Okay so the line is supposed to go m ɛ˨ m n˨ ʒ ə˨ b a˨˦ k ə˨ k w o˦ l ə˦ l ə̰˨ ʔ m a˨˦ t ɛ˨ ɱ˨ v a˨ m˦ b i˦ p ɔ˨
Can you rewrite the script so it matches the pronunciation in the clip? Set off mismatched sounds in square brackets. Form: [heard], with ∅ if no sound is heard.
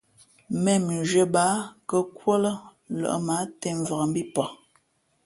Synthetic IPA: m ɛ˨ m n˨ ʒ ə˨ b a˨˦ k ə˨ k w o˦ l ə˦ l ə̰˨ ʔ m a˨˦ t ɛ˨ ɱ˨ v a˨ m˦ b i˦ p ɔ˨